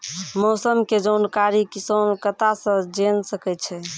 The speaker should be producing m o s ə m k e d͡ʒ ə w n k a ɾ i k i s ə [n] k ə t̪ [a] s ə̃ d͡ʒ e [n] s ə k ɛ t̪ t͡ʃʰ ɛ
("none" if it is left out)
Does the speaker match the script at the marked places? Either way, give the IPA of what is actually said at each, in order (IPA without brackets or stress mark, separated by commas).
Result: n, a, n